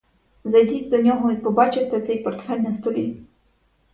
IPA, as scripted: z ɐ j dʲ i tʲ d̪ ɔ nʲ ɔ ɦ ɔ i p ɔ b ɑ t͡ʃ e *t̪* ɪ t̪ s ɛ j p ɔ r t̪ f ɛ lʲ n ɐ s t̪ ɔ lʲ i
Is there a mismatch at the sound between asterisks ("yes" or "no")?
no